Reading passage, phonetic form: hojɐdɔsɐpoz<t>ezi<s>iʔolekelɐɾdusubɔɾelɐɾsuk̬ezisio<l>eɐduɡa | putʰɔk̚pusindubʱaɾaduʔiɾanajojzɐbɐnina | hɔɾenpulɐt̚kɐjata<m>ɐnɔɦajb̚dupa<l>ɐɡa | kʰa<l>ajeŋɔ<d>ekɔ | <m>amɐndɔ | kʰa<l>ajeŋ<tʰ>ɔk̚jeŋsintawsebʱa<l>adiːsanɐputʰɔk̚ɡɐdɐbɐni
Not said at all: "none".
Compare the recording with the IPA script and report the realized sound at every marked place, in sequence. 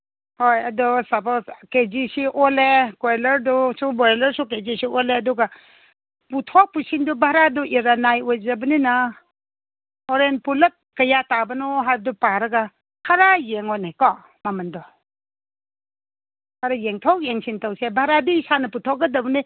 k, s, l, b, ɾ, ɾ, n, m, ɾ, tʰ, ɾ

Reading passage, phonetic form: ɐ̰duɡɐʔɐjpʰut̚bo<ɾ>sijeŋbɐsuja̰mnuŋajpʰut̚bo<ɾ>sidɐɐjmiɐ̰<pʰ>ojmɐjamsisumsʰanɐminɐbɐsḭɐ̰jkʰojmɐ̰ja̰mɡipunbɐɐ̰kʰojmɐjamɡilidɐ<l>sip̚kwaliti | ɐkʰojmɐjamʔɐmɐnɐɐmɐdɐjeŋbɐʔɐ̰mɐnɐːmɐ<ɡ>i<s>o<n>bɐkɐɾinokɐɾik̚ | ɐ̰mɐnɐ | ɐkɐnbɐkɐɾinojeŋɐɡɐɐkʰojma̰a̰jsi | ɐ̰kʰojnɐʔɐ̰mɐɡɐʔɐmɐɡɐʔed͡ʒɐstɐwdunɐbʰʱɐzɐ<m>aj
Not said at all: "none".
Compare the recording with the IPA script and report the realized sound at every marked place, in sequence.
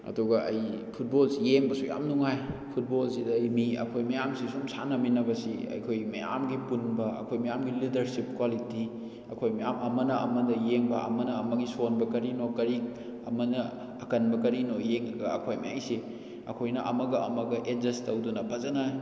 l, l, kʰ, ɾ, ɡ, s, n, n

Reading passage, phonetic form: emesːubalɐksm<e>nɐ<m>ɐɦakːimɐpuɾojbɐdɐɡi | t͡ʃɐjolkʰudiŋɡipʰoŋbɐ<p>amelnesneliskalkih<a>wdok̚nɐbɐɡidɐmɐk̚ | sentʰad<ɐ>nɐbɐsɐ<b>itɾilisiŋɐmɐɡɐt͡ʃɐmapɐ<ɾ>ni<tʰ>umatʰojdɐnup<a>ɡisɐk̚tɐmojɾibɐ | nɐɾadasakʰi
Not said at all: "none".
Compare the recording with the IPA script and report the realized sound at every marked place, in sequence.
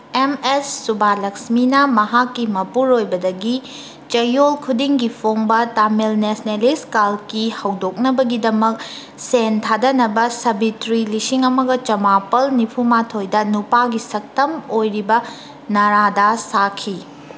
i, m, t, ɐ, ɐ, b, l, pʰ, a

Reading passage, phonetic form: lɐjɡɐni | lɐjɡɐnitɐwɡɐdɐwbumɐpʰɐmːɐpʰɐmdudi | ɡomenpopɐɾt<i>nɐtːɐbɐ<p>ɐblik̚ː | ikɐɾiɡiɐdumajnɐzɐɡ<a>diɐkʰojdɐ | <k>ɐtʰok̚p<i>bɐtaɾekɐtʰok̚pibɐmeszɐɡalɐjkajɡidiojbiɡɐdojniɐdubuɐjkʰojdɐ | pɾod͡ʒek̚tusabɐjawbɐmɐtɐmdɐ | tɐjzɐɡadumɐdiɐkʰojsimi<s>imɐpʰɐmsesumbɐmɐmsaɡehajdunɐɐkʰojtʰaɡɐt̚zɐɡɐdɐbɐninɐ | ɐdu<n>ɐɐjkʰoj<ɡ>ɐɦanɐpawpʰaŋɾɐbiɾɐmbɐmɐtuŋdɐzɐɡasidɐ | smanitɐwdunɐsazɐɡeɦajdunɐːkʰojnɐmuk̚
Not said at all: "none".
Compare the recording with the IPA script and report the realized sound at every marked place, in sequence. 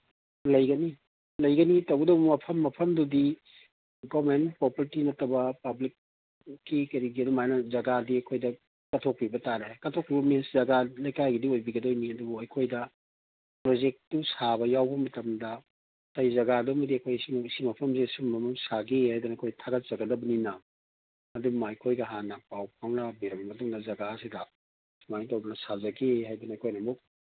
i, p, a, k, i, s, m, ɡ

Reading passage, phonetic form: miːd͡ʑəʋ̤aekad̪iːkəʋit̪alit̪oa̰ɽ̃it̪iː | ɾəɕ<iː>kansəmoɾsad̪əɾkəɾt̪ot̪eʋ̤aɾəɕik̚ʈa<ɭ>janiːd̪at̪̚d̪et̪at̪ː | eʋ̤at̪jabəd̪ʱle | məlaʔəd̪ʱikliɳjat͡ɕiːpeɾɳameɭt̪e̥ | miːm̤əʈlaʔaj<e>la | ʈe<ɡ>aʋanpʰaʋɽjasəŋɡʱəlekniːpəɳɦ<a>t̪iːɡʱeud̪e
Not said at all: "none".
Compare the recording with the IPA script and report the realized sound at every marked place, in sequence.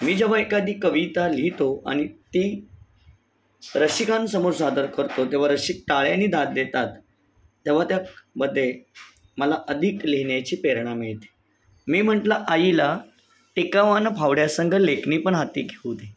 i, ɭ, i, k, a

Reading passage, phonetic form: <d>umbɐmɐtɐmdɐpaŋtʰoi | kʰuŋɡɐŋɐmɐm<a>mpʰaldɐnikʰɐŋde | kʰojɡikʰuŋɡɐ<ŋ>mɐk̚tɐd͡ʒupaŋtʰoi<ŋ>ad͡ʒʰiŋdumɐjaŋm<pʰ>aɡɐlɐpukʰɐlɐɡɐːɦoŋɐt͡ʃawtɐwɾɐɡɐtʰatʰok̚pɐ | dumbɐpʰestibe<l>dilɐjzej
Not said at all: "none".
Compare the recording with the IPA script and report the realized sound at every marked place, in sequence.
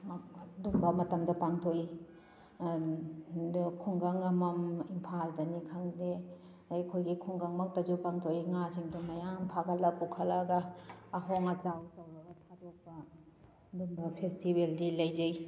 d, i, ŋ, ŋ, pʰ, l

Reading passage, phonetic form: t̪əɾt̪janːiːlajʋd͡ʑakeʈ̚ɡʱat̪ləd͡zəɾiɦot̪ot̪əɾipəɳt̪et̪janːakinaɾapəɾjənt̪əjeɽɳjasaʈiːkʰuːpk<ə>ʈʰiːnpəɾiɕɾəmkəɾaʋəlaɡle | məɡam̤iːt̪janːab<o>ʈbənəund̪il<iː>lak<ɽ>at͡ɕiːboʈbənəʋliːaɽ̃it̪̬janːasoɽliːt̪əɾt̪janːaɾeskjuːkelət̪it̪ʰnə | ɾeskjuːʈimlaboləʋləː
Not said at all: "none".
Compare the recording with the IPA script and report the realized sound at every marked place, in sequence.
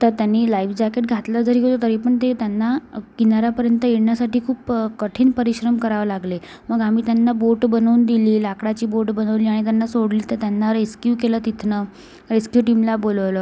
ə, o, iː, ɽ

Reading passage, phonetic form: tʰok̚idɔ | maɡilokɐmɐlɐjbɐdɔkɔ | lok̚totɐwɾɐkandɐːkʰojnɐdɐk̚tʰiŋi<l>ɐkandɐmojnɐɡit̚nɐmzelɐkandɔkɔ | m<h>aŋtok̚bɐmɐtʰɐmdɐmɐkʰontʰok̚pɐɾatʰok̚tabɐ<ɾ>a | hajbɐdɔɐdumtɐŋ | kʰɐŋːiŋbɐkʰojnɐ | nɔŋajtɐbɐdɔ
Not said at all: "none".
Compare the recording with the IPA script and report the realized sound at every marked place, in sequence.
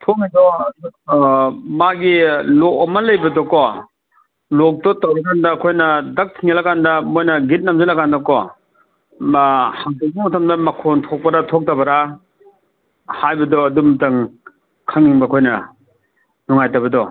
l, h, ɾ

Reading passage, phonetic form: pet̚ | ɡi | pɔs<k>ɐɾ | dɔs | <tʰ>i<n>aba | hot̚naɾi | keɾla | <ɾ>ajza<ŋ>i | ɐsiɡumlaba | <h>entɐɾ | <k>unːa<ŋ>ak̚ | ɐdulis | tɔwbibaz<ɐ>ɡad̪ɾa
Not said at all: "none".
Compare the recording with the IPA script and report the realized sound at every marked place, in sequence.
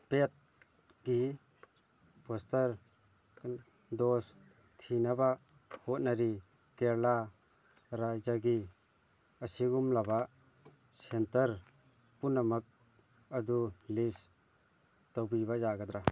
t, tʰ, n, ɾ, ɡ, s, p, m, a

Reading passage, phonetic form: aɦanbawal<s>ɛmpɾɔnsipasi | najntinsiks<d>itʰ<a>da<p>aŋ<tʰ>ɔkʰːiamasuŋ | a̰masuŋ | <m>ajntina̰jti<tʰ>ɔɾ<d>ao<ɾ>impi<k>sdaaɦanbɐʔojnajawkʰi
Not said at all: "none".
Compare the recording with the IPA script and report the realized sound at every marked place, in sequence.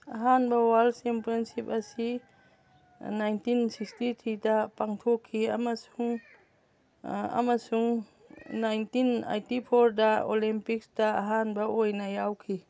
s, t, i, p, tʰ, n, pʰ, d, l, k

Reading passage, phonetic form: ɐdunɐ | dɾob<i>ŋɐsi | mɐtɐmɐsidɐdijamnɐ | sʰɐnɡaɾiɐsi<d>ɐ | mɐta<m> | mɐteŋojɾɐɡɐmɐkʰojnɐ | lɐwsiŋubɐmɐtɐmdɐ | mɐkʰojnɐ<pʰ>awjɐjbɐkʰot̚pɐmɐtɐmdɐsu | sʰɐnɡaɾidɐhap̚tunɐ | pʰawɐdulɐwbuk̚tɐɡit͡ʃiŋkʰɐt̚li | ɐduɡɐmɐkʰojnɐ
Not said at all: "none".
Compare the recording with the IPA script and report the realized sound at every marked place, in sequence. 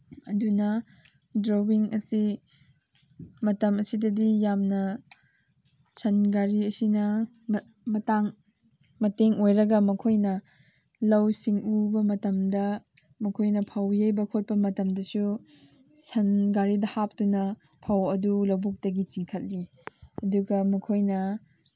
i, n, ŋ, pʰ

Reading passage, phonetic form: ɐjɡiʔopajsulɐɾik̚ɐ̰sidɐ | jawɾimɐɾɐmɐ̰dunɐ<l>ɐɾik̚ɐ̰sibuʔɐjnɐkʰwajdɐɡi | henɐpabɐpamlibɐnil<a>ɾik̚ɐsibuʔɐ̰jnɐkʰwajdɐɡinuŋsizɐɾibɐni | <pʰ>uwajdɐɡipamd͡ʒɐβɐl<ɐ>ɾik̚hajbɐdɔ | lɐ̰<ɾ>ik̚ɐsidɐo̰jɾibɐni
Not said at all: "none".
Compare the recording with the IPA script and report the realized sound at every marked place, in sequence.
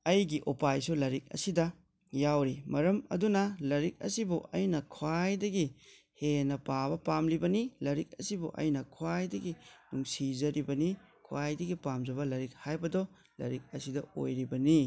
l, ɐ, kʰ, ɐ, ɾ

